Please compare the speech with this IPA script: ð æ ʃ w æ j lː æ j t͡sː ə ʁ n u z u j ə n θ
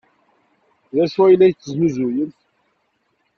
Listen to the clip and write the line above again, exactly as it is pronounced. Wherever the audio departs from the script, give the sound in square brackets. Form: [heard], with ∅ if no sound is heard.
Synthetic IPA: ð æ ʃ w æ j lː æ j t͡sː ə [z] n u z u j ə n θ